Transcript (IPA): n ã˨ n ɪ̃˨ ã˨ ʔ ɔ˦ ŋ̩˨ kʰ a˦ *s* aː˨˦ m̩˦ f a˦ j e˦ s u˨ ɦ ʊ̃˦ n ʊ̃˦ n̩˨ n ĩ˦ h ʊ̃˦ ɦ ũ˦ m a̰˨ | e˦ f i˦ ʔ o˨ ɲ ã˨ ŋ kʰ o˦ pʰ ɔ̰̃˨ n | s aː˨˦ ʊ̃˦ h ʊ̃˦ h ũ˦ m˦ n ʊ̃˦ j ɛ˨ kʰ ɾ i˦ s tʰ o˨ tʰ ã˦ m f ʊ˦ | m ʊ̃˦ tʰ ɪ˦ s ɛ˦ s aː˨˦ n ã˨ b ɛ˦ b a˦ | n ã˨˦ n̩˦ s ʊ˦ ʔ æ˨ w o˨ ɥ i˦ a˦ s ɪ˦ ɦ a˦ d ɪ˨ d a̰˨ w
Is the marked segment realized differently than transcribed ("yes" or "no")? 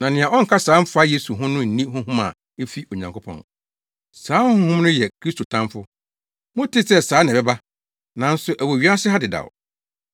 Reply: no